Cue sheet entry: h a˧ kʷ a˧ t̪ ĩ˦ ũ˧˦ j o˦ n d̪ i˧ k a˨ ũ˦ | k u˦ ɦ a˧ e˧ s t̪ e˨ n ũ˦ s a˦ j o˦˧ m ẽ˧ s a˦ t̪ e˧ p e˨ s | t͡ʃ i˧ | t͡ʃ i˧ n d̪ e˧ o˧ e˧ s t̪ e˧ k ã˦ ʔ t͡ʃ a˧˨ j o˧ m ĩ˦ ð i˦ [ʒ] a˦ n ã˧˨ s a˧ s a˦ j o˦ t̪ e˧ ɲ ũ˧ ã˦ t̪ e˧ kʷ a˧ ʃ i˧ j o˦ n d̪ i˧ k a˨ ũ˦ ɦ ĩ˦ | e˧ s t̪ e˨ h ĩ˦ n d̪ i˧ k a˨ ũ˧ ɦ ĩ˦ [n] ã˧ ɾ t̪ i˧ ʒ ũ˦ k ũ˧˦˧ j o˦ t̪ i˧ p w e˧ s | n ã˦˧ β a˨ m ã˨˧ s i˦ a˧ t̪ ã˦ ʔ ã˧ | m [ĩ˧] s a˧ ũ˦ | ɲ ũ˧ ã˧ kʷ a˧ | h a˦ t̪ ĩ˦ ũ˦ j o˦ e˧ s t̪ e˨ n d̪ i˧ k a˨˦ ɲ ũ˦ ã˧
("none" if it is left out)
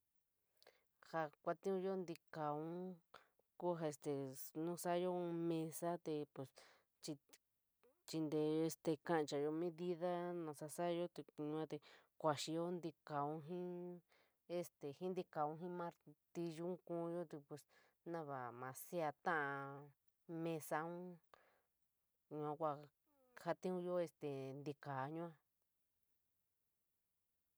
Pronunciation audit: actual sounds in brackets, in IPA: ð, m, ẽ˧

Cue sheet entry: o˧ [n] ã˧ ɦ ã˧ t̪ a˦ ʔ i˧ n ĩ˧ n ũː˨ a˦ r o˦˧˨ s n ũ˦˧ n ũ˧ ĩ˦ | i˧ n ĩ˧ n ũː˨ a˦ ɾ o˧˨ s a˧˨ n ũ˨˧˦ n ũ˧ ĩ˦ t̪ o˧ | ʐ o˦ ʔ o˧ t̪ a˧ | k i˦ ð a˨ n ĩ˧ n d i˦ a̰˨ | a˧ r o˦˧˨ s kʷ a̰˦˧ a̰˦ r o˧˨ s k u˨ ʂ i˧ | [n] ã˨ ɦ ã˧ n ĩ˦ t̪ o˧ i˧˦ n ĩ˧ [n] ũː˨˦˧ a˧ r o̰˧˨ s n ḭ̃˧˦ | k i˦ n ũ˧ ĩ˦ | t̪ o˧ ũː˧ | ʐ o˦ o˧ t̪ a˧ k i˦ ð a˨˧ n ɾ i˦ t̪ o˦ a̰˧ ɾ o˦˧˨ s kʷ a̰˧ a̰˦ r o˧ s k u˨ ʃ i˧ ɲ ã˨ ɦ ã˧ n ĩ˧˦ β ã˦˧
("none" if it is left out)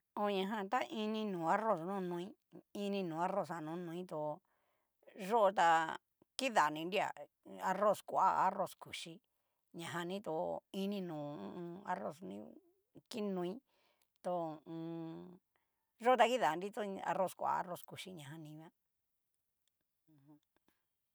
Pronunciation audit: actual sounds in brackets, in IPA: ɲ, ɲ, n

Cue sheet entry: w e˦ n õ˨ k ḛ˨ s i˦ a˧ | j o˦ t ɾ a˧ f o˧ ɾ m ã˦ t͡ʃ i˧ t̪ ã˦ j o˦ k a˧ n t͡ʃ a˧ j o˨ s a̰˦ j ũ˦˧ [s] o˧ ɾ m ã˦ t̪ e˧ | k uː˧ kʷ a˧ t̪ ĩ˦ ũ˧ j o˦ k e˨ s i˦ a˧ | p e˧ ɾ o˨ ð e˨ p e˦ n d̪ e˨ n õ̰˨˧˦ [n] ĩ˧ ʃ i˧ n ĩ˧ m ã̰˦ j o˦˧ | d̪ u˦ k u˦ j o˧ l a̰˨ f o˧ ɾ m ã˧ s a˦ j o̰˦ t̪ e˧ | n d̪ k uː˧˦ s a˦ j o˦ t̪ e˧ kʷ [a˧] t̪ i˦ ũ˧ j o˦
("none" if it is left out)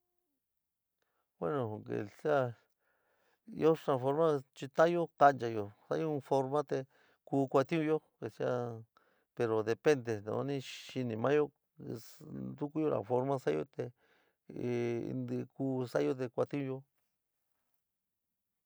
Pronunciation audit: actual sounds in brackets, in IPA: f, n, a˧

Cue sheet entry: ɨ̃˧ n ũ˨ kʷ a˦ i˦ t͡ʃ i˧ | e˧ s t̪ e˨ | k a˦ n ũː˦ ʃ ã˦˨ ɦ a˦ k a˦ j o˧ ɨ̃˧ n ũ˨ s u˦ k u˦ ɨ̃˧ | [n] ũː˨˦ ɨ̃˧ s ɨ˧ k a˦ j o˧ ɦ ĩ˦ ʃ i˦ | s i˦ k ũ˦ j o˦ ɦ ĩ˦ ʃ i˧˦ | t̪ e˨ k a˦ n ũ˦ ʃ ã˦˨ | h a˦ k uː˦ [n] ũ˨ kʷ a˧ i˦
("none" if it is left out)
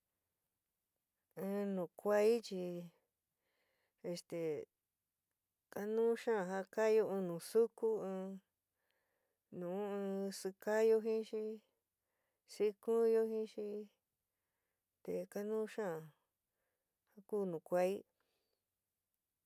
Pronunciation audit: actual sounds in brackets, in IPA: n, n

